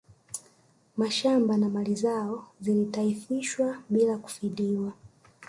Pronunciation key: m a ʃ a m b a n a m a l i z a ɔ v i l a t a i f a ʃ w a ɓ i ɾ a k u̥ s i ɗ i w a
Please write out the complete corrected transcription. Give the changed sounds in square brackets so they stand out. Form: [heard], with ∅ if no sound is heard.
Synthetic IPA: m a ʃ a m b a n a m a l i z a ɔ [z] i l [i] t a i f [i] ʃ w a ɓ i [l] a k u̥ [f] i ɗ i w a

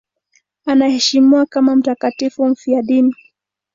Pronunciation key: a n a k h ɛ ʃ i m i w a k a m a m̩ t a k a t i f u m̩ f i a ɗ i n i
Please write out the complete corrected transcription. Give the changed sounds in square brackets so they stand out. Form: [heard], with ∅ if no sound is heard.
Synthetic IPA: a n a [∅] h ɛ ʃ i m i w a k a m a m̩ t a k a t i f u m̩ f i a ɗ i n i

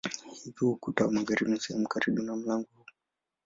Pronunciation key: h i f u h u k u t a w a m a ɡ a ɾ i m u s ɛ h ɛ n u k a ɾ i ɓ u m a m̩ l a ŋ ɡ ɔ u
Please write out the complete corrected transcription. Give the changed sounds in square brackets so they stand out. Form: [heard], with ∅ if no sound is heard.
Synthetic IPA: h i [v] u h u k u t a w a m a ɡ a ɾ i m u s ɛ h ɛ [m] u k a ɾ i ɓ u [n] a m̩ l a ŋ ɡ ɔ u

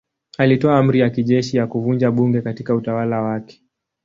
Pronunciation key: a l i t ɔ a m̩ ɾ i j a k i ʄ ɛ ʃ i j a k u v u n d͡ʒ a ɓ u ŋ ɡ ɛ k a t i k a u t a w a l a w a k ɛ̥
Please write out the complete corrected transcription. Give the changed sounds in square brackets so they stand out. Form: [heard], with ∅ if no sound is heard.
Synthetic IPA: a l i t ɔ a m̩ ɾ i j a k i ʄ ɛ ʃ i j a k u v u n d͡ʒ a ɓ u ŋ ɡ ɛ k a t i k a u t a w a l a w a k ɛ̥

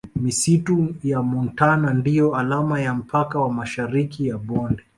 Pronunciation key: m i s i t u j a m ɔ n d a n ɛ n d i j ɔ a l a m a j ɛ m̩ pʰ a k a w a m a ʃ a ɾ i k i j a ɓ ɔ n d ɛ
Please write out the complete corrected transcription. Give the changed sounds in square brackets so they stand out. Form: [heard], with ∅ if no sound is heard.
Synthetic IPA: m i s i t u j a m ɔ n [t] a n [a] n d i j ɔ a l a m a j [a] m̩ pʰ a k a w a m a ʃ a ɾ i k i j a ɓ ɔ n d ɛ

